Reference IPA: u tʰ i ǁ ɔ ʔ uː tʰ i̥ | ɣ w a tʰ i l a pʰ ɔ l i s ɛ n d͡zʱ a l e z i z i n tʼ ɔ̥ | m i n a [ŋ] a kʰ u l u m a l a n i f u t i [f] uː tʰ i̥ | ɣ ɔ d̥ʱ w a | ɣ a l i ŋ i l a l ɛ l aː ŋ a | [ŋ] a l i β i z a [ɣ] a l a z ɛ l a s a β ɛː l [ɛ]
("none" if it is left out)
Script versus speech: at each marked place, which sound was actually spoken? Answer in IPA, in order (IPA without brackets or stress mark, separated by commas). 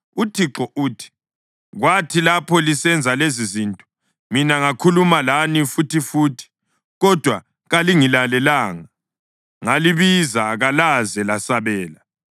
ŋ, f, ŋ, ɣ, a